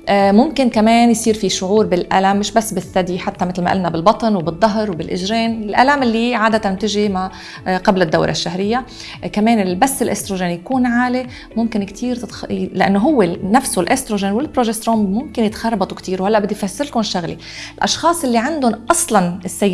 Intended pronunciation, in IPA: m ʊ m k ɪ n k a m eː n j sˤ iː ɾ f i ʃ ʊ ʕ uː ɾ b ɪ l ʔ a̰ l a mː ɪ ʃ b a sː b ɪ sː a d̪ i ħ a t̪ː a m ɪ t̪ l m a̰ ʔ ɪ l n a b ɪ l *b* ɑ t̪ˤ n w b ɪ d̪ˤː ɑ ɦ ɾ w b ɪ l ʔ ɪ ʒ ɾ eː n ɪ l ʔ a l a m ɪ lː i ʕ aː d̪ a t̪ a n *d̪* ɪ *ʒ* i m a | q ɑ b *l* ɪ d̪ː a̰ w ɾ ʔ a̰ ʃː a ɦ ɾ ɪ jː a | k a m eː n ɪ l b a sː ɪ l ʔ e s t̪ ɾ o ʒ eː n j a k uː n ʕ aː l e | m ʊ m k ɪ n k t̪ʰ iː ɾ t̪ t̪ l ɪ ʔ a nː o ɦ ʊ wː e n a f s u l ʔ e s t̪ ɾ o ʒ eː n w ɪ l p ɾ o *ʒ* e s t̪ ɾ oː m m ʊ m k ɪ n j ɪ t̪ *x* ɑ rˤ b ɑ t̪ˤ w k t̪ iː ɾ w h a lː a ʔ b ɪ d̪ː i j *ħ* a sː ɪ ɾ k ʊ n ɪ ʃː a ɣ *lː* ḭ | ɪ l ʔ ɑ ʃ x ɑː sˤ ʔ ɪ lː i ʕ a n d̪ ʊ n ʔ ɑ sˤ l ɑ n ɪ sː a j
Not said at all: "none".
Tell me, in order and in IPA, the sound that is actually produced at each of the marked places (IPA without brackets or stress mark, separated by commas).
b, t̪, ʒ, l, ʒ, x, f, l